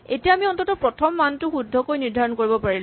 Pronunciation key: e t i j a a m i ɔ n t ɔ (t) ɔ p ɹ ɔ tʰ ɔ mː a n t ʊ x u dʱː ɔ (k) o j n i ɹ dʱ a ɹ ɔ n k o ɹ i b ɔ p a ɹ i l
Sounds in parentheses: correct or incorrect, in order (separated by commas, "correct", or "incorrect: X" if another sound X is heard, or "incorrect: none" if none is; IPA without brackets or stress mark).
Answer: correct, correct